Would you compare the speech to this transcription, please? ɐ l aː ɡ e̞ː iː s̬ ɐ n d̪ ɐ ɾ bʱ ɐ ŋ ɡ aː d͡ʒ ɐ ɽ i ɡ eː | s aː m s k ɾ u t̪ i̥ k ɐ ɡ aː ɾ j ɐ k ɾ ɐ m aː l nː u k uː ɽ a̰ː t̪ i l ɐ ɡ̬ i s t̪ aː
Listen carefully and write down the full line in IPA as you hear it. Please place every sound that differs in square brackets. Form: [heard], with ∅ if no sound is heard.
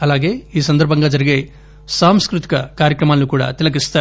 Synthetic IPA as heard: ɐ l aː ɡ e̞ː iː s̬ ɐ n d̪ ɐ ɾ bʱ ɐ ŋ ɡ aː d͡ʒ ɐ [ɾ] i ɡ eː | s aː m s k ɾ u t̪ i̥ k ɐ [k] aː ɾ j ɐ k ɾ ɐ m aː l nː u k uː ɽ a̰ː t̪ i l ɐ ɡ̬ i s t̪ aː